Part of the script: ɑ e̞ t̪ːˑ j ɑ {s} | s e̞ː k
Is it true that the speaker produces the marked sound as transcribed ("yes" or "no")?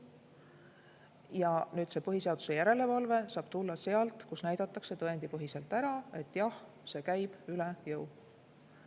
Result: no